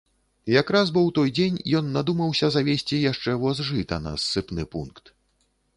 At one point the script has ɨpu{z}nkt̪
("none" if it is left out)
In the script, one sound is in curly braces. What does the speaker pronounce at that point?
none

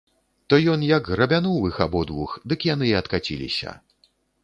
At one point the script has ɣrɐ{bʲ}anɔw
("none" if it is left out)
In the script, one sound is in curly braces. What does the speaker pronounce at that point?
bʲ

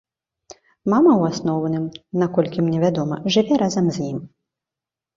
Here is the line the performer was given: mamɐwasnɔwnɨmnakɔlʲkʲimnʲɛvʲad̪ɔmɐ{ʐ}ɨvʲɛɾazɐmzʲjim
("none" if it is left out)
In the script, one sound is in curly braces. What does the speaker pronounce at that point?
ʐ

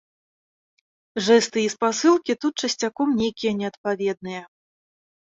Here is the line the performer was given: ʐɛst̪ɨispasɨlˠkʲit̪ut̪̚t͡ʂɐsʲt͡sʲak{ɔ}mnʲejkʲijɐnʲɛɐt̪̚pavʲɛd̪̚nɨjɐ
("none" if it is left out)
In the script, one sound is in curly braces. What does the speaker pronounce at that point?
ɔ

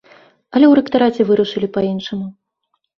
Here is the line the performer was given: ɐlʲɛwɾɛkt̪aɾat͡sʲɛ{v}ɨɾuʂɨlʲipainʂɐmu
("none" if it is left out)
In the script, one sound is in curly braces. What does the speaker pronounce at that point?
v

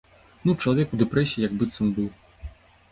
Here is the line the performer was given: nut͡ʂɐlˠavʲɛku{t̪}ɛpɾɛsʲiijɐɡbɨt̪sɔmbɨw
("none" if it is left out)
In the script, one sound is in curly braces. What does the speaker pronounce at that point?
d̪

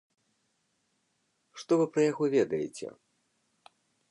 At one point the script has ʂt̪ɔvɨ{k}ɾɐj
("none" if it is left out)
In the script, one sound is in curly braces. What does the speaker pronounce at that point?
p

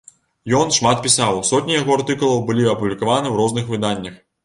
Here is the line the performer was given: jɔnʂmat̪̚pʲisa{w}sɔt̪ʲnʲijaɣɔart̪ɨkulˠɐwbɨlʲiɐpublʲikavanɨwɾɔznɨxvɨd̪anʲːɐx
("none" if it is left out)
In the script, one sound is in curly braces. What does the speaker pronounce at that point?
w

